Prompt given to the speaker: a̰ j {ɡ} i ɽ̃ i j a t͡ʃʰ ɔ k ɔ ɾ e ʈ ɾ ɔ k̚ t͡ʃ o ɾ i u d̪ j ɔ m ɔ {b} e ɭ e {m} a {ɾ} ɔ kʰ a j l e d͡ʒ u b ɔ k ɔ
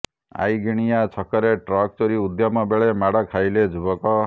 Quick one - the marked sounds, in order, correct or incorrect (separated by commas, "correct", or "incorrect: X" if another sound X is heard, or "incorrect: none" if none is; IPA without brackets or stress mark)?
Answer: correct, correct, correct, incorrect: ɽ